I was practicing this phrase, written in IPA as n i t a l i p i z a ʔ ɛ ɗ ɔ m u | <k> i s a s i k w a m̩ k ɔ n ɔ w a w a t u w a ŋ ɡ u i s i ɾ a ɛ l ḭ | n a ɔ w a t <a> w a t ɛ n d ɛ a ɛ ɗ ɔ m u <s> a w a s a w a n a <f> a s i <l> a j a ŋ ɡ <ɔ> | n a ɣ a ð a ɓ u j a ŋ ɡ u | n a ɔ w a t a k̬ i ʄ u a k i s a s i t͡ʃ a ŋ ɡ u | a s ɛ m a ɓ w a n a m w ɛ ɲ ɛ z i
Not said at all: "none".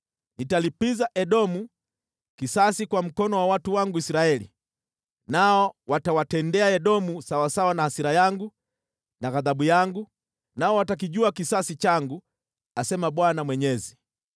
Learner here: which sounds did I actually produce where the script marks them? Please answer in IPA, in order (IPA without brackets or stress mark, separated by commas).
k, a, s, h, ɾ, u